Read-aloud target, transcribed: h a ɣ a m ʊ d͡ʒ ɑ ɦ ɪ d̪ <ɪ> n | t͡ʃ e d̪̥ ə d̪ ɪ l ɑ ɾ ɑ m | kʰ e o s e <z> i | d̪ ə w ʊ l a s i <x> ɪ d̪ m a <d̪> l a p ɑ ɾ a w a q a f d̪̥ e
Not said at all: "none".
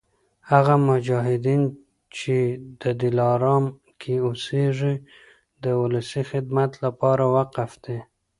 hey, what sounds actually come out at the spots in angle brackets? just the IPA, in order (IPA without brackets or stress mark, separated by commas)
i, ʐ, x, t̪